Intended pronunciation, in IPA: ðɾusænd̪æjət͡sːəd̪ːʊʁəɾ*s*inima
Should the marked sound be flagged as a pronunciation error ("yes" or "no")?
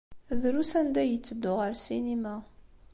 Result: no